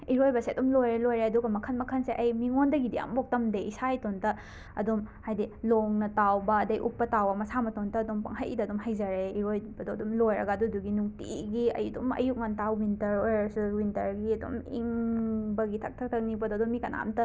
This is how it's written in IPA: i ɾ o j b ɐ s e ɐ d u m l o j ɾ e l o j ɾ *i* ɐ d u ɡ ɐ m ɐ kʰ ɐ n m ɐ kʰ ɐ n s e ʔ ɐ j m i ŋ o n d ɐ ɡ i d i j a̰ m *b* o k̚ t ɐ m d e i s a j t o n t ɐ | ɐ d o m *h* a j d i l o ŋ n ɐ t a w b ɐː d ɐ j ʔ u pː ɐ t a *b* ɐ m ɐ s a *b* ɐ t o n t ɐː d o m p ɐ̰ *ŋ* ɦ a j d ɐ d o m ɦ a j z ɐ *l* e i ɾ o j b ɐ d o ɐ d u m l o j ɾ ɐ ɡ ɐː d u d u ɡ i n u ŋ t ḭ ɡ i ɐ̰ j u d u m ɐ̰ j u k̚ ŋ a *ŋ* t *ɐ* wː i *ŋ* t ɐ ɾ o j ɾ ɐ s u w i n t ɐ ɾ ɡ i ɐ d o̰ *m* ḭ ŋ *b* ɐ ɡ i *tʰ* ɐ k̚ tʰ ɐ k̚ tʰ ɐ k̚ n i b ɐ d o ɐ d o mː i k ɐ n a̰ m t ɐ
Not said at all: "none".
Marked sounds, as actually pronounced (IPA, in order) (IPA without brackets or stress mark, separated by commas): e, b, h, w, m, ŋ, ɾ, n, a, n, m, b, tʰ